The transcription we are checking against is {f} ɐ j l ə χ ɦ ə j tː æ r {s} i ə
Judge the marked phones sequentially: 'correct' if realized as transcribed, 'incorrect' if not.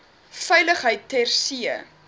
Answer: correct, correct

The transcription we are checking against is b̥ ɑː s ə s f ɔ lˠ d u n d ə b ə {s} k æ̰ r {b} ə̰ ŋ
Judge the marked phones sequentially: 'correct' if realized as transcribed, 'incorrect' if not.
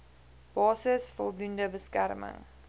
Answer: correct, incorrect

